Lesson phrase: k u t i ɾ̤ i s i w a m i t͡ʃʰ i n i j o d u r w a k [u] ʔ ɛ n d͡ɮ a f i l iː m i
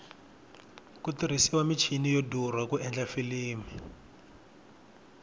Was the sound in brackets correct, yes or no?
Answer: yes